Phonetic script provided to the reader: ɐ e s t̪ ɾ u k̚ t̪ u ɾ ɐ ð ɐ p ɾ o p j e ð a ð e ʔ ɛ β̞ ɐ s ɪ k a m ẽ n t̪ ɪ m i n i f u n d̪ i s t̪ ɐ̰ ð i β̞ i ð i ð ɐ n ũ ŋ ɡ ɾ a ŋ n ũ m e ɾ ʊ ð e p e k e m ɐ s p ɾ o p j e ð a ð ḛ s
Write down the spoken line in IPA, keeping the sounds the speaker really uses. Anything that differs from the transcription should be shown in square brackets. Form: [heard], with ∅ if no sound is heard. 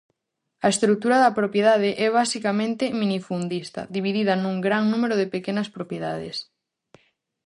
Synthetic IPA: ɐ e s t̪ ɾ u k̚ t̪ u ɾ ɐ ð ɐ p ɾ o p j e ð a ð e ʔ ɛ β̞ [a] s [i] k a m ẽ n t̪ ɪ m i n i f u n d̪ i s t̪ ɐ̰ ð i β̞ i ð i ð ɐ n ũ ŋ ɡ ɾ a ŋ n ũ m e ɾ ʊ ð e p e k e [n] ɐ s p ɾ o p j e ð a ð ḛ s

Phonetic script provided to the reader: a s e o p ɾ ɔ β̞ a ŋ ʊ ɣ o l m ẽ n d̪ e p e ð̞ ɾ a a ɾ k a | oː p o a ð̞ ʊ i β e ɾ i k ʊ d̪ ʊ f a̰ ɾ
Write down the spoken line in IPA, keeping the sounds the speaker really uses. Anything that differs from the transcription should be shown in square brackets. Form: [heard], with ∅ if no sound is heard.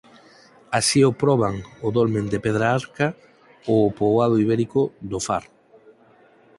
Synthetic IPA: a s [i] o p ɾ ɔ β̞ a ŋ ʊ [ð] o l m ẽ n d̪ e p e ð̞ ɾ a a ɾ k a | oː p o a ð̞ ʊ i β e ɾ i k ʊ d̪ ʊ f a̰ ɾ

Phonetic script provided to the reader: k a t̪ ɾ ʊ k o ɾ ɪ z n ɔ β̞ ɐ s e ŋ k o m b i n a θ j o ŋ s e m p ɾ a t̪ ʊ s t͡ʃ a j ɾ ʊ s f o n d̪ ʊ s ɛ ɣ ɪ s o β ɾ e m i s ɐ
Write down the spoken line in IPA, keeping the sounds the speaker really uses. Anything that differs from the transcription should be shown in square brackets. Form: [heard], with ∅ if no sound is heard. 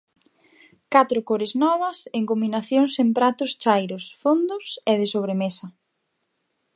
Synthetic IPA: k a t̪ ɾ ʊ k o ɾ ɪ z n ɔ β̞ ɐ s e ŋ k o m b i n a θ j o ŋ s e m p ɾ a t̪ ʊ s t͡ʃ a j ɾ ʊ s f o n d̪ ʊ s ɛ [ð] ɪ s o β ɾ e m [e] s ɐ

